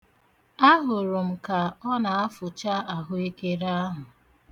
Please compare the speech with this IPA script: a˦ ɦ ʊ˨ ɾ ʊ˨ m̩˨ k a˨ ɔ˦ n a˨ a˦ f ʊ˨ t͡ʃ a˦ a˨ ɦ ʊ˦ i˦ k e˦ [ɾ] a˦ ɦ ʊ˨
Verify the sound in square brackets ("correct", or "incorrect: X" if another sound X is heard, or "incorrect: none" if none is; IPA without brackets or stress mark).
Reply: correct